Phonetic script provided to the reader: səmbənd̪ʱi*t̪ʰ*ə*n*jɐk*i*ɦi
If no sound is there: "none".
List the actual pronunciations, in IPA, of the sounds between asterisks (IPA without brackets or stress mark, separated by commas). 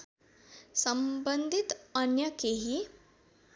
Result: t̪, n, e